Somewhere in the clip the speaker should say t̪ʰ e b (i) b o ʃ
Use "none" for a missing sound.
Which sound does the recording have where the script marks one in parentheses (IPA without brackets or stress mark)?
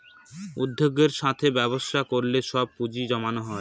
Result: ɛ